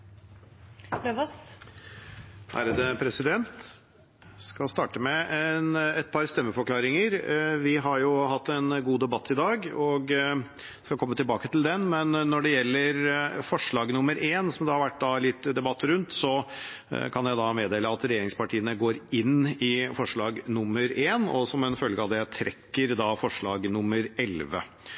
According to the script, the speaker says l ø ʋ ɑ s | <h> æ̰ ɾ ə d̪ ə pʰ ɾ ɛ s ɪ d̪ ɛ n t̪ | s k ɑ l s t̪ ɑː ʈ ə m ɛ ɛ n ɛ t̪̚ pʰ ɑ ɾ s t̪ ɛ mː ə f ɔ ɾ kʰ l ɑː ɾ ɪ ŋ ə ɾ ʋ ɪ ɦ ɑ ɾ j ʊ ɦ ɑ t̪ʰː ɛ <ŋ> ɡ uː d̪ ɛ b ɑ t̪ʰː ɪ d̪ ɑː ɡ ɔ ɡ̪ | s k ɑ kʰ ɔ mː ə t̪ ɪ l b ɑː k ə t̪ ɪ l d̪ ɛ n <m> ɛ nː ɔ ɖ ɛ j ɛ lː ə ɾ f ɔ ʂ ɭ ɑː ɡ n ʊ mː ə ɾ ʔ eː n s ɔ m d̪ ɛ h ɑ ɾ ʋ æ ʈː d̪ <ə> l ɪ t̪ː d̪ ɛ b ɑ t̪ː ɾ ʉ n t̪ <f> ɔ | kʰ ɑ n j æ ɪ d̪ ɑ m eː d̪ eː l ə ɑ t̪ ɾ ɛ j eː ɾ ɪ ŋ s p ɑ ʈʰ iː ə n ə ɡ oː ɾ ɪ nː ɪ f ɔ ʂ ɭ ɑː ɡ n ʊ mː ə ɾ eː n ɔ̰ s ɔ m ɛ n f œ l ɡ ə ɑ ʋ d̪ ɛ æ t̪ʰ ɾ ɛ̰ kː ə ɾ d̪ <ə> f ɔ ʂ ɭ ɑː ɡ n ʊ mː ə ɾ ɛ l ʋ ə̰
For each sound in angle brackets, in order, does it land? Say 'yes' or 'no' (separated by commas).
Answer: yes, no, yes, no, no, no